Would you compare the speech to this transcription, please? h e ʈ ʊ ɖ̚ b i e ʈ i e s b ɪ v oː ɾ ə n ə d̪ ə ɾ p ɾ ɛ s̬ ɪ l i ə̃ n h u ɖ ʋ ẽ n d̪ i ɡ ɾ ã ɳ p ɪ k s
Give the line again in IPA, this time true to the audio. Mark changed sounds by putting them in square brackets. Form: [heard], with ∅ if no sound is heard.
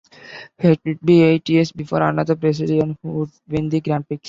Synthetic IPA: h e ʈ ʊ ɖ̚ b i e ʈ i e s b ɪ [f] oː ɾ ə n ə d̪ ə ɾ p ɾ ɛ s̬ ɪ l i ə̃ n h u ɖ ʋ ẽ n d̪ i ɡ ɾ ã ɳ p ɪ k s

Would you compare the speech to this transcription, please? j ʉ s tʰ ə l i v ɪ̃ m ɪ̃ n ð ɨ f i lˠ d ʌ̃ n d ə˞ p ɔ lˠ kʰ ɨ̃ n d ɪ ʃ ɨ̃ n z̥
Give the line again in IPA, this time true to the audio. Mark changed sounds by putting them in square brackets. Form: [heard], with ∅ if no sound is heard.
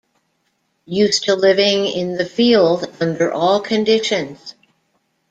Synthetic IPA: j ʉ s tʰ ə l [ɪ] v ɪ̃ [ŋ] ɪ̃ n ð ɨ f i lˠ d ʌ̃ n d ə˞ [ʔ] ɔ lˠ kʰ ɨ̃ n d ɪ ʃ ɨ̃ n z̥

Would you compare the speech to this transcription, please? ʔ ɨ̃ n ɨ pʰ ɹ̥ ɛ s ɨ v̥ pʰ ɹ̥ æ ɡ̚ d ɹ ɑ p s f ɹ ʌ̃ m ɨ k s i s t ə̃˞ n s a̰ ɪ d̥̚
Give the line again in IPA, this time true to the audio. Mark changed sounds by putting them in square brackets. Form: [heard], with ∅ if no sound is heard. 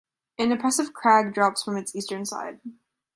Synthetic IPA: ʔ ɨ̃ n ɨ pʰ ɹ̥ ɛ s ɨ v̥ [kʰ] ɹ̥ æ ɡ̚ d ɹ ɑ p s f ɹ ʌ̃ m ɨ [t] s i s t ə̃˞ n s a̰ ɪ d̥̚

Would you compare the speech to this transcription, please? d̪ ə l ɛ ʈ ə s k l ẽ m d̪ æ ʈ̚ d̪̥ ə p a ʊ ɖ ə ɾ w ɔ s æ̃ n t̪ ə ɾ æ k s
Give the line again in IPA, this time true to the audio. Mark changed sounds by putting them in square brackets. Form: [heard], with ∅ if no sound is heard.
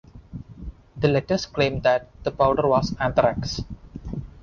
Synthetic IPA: d̪ ə l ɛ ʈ ə s k l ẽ m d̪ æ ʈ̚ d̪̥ ə p a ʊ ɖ ə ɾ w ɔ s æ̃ n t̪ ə ɾ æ k s

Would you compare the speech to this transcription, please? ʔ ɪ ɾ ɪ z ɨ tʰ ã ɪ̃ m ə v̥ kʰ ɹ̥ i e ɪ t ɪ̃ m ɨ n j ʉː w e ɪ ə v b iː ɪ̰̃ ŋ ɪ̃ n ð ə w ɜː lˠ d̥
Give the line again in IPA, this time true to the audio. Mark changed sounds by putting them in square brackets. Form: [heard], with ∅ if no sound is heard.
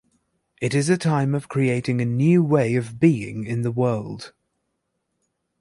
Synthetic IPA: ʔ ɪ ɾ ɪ z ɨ tʰ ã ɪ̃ m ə v̥ kʰ ɹ̥ i e ɪ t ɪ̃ [ŋ] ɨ n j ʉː w e ɪ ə v b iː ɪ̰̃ ŋ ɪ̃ n ð ə w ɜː lˠ d̥

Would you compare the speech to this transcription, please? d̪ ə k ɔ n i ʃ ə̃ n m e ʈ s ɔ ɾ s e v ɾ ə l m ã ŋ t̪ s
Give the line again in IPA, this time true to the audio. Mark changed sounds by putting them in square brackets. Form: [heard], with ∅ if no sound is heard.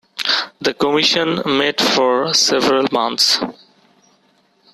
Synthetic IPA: d̪ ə k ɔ [m] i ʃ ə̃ n m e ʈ [f] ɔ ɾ s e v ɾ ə l m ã [n] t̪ s

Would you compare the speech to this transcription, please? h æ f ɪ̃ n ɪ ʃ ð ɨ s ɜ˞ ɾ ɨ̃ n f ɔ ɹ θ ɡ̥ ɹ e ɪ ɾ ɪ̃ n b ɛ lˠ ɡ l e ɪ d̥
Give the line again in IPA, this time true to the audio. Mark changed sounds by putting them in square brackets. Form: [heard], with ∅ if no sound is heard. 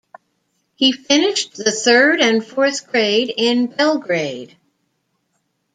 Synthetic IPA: h [i] f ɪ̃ n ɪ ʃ ð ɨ [θ] ɜ˞ ɾ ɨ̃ n f ɔ ɹ θ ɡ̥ ɹ e ɪ ɾ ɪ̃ n b ɛ lˠ ɡ [ɹ] e ɪ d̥

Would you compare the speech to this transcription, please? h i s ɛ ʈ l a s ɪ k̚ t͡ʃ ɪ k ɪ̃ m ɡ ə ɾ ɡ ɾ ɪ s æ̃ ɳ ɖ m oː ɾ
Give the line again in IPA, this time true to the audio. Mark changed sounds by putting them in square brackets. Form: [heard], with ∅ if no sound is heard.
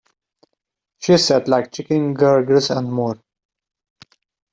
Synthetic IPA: [ʃ] i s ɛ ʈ l a [∅] ɪ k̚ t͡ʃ ɪ k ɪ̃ [ŋ] ɡ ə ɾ ɡ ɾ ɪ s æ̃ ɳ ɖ m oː ɾ

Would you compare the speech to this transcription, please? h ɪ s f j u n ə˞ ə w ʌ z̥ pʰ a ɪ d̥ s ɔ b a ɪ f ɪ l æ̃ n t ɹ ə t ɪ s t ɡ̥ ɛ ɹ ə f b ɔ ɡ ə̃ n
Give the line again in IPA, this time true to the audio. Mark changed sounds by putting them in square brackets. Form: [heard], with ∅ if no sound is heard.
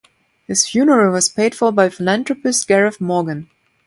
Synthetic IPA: h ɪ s f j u n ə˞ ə w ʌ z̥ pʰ [e] ɪ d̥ [f] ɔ b a ɪ f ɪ l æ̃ n t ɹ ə [p] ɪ s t ɡ̥ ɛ ɹ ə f [m] ɔ ɡ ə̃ n

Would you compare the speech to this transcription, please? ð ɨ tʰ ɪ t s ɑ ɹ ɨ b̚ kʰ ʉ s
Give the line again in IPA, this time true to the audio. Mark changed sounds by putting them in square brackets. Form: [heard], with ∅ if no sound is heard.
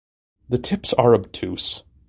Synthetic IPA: ð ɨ tʰ ɪ [p] s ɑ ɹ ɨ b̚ [tʰ] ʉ s

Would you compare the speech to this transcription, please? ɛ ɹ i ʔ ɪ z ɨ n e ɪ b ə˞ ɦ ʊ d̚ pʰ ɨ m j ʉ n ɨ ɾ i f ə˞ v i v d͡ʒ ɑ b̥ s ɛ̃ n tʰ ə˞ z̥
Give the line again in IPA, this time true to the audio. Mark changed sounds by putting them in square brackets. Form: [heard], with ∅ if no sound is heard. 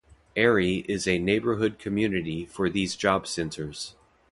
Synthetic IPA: ɛ ɹ i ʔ ɪ z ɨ n e ɪ b ə˞ ɦ ʊ d̚ [kʰ] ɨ m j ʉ n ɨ ɾ i f ə˞ [ð] i [z] d͡ʒ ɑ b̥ s ɛ̃ n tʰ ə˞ z̥

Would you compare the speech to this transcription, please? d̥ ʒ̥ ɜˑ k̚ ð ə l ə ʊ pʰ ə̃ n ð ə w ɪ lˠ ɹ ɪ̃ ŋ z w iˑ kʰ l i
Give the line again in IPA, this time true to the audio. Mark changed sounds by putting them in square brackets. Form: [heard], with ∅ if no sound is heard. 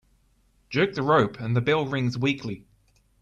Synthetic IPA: d̥ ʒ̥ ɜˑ k̚ ð ə [ɹ] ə ʊ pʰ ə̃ n ð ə [b] ɪ lˠ ɹ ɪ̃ ŋ z w iˑ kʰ l i

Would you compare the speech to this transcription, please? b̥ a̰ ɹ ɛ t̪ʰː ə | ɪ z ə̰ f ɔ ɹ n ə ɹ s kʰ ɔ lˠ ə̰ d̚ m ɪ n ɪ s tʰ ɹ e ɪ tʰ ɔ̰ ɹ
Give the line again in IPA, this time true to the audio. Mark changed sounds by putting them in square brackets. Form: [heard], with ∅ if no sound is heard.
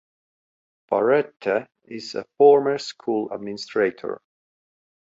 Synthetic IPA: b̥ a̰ ɹ ɛ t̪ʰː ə | ɪ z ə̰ f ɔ ɹ [m] ə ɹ s kʰ [u] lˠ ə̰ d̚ m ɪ n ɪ s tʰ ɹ e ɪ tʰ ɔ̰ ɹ

